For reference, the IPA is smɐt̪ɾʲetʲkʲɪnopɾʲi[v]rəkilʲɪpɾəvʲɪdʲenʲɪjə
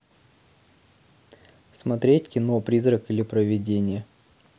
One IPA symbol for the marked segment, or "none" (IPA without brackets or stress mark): z